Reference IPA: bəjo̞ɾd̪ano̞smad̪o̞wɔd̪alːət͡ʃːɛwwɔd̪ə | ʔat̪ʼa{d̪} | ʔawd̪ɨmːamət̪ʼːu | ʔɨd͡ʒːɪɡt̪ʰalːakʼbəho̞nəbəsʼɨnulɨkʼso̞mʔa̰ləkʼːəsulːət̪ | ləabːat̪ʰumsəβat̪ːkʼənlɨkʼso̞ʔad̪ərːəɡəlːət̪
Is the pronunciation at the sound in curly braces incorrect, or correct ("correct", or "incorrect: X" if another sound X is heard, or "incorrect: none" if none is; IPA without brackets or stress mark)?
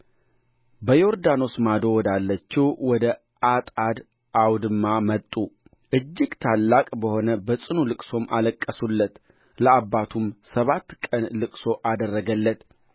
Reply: correct